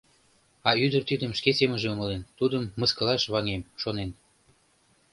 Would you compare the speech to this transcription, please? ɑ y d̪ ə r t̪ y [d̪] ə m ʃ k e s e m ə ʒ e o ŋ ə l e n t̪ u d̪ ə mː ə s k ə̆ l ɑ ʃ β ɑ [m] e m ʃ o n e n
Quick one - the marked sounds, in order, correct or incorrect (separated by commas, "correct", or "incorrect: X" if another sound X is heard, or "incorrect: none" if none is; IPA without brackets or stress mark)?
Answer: correct, incorrect: ŋ